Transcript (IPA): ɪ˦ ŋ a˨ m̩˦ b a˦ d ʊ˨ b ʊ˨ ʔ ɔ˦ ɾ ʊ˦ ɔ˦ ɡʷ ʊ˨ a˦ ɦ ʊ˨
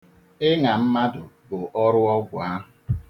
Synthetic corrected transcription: ɪ˦ ŋ a˨ m̩˦ m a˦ d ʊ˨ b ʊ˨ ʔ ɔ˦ ɾ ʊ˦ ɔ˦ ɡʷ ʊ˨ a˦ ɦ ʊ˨